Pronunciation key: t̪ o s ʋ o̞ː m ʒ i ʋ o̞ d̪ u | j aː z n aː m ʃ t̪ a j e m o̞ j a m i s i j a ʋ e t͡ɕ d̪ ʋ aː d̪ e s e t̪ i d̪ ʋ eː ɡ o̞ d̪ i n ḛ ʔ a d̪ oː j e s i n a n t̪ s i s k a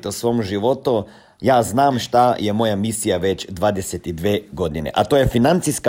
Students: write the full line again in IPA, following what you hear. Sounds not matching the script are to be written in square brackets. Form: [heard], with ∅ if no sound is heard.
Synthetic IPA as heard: t̪ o s ʋ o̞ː m ʒ i ʋ o̞ [t̪] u | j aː z n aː m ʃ t̪ a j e m o̞ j a m i s i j a ʋ e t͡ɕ d̪ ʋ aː d̪ e s e t̪ i d̪ ʋ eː ɡ o̞ d̪ i n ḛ ʔ a [t̪] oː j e [f] i n a n t̪ s i s k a